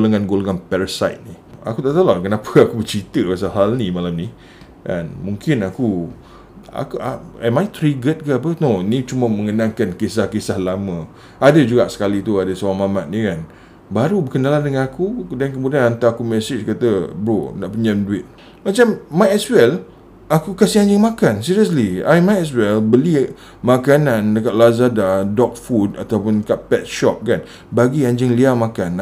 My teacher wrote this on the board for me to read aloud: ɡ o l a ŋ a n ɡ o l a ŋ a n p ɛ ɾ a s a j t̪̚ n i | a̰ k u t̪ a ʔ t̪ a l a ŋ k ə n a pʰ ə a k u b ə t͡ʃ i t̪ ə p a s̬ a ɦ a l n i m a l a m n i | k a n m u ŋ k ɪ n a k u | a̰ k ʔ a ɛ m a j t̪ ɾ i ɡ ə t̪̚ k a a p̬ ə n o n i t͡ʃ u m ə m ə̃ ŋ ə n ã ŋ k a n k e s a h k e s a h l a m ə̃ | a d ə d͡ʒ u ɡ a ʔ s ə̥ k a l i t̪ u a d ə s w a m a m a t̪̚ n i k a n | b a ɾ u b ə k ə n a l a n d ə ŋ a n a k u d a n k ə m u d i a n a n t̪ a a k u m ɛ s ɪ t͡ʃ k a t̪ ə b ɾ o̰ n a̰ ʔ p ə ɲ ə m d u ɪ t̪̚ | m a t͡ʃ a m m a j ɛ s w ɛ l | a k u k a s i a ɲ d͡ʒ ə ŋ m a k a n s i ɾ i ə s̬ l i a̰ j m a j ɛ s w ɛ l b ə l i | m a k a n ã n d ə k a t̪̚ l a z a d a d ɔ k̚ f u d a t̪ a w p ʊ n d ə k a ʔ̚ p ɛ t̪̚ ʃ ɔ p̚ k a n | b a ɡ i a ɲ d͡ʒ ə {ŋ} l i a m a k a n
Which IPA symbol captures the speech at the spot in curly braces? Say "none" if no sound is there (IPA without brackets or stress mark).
ŋ